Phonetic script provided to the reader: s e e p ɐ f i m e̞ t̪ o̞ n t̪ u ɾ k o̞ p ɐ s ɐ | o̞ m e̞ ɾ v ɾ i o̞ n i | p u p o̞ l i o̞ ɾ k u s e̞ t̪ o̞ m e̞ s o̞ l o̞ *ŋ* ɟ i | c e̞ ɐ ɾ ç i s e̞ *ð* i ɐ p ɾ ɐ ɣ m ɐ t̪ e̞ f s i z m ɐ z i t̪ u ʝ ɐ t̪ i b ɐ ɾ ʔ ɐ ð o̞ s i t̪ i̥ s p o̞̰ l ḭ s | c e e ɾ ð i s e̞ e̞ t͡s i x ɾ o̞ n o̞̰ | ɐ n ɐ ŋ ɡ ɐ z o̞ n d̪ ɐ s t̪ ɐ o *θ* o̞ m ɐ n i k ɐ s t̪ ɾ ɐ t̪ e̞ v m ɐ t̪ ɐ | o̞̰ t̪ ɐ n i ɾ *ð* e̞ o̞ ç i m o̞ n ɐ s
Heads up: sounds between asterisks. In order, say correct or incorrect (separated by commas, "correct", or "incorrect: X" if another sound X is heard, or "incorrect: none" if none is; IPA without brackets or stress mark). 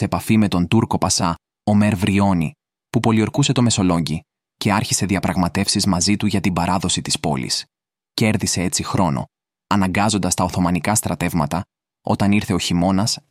incorrect: ɲ, correct, correct, incorrect: θ